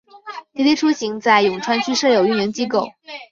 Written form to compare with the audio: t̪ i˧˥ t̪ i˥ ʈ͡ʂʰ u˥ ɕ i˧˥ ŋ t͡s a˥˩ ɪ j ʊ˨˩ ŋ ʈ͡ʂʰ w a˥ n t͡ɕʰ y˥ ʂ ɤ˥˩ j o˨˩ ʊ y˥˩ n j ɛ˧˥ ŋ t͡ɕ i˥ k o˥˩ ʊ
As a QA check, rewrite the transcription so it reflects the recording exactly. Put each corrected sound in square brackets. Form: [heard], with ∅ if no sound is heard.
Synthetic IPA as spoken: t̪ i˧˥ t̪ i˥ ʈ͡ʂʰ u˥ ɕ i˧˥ ŋ t͡s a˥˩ ɪ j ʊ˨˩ ŋ ʈ͡ʂʰ w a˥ n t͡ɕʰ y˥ ʂ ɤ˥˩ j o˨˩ ʊ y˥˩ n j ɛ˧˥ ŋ t͡ɕ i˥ k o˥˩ ʊ